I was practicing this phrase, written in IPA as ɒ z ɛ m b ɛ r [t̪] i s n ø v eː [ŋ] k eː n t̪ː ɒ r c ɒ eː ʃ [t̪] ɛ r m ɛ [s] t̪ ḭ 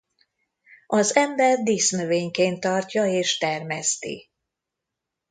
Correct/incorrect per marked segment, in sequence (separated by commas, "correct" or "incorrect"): incorrect, incorrect, correct, correct